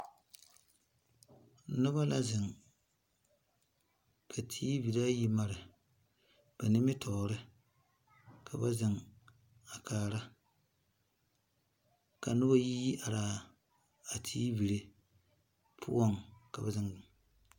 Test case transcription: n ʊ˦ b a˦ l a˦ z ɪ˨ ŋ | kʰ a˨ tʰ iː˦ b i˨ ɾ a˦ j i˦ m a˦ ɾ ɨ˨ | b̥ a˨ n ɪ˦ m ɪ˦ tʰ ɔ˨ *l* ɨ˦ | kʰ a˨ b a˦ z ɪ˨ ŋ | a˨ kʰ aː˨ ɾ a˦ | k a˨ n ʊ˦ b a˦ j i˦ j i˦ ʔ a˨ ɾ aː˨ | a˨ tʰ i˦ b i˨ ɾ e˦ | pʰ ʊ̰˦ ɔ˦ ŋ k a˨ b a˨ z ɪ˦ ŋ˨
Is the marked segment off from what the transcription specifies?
yes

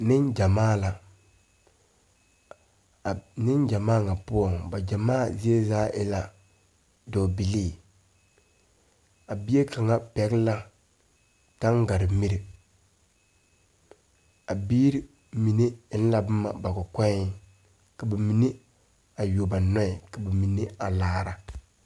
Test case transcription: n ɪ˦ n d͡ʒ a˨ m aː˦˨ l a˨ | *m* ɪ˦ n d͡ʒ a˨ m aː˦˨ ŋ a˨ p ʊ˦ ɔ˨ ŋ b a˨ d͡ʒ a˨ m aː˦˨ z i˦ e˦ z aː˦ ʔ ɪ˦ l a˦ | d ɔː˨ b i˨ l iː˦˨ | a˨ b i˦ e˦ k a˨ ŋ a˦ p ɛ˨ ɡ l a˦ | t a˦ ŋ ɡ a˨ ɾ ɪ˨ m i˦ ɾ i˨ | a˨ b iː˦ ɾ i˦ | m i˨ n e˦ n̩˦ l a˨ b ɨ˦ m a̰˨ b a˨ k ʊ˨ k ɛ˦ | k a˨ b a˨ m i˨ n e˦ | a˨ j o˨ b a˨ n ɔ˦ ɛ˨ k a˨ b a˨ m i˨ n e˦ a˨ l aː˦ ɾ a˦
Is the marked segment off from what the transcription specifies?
yes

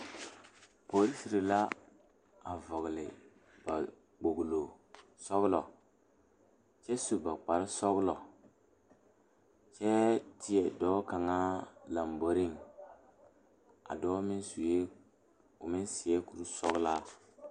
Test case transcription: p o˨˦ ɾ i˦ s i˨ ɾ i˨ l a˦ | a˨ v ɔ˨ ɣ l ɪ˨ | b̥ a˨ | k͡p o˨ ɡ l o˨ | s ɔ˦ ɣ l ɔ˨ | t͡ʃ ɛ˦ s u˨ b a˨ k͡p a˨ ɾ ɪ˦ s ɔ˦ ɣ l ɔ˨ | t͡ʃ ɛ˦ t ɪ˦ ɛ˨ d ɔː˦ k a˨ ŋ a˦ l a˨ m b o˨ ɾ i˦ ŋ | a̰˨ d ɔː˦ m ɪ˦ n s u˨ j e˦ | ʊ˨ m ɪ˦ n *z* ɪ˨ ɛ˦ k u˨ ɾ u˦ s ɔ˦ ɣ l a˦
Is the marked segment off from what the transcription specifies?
yes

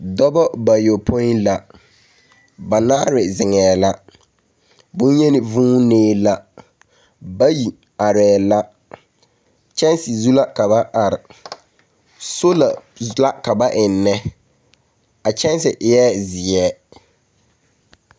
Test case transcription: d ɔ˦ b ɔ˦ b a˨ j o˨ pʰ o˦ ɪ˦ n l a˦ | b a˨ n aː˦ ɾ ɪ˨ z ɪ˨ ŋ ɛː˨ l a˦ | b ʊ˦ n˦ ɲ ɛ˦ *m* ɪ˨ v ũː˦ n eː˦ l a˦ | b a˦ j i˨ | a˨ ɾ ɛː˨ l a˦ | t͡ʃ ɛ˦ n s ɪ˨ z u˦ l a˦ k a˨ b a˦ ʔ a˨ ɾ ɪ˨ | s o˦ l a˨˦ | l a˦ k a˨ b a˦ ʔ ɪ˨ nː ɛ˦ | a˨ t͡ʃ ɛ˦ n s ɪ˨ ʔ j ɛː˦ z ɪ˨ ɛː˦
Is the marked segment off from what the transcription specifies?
yes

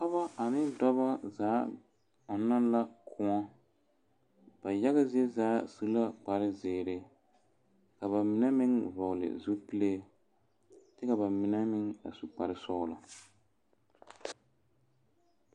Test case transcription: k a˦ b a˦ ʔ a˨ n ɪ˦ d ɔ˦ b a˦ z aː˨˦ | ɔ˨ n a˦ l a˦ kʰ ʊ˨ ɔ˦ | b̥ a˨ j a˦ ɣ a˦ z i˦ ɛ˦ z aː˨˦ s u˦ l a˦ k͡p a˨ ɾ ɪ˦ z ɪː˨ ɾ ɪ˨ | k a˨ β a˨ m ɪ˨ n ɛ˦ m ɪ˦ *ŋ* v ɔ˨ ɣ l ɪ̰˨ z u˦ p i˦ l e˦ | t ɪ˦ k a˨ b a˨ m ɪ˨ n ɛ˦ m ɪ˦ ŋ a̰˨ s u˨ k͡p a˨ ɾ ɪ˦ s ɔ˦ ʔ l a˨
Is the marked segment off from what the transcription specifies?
no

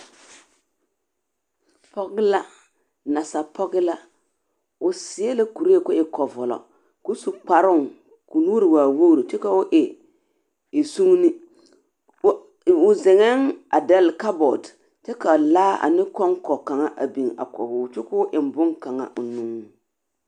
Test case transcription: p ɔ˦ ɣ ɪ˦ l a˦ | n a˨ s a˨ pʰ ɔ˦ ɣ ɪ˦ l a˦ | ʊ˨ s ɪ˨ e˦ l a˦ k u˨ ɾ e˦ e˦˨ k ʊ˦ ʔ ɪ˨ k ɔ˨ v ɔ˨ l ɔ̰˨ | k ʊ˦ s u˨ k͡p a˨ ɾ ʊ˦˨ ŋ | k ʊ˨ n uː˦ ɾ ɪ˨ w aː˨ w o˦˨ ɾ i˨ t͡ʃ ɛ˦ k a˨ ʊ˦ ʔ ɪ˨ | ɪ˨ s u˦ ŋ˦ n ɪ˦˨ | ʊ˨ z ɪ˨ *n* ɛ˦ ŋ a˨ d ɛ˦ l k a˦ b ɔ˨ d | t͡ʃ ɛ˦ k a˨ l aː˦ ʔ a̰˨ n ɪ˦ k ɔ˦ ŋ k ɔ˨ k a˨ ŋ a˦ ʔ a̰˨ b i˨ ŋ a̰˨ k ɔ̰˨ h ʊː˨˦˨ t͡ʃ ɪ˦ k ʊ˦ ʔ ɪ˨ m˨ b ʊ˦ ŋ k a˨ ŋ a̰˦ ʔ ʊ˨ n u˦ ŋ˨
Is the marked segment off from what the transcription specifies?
yes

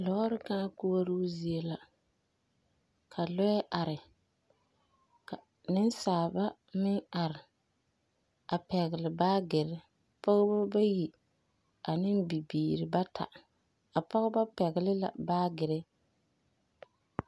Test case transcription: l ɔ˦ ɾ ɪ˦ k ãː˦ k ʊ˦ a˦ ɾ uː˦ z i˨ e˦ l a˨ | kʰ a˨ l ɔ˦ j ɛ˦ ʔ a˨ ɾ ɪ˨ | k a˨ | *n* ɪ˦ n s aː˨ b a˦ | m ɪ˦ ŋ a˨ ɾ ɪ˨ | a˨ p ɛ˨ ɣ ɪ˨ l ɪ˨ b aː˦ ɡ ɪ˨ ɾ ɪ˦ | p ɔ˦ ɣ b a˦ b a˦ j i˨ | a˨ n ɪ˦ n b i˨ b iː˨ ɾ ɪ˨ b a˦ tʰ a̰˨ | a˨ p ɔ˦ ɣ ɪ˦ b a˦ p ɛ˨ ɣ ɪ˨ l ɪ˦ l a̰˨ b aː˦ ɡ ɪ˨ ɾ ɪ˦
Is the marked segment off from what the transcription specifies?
no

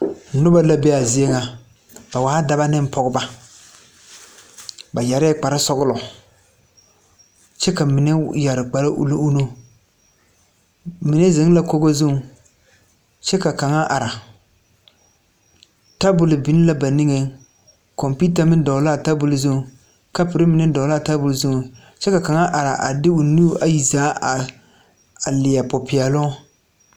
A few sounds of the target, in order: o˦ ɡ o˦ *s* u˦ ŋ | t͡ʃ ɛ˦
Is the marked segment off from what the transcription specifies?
yes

